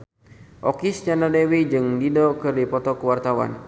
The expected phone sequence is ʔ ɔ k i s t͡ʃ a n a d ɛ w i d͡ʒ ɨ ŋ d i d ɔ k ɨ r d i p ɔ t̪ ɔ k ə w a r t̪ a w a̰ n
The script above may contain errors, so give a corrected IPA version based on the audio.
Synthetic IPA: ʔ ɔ k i s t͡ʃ a n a d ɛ w i d͡ʒ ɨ ŋ d i d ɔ k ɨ r d i p ɔ t̪ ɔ k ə w a r t̪ a w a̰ n